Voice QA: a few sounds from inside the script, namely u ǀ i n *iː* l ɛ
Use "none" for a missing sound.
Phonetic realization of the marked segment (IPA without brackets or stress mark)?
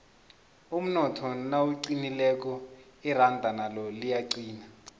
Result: i